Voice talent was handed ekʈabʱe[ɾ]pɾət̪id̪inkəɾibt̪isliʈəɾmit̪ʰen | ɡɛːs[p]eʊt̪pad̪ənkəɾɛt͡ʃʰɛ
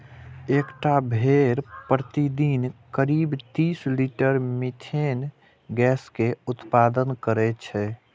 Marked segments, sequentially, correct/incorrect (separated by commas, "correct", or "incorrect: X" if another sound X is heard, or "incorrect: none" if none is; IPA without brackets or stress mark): correct, incorrect: k